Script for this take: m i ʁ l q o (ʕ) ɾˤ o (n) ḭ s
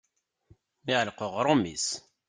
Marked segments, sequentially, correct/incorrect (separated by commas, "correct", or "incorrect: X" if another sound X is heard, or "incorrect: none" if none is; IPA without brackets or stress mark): incorrect: ʁ, incorrect: m